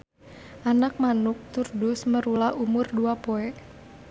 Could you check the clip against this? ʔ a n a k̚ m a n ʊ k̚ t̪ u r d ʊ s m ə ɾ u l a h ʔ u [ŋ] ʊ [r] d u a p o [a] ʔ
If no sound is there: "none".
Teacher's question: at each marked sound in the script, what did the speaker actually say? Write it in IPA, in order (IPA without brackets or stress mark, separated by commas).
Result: m, r, ɛ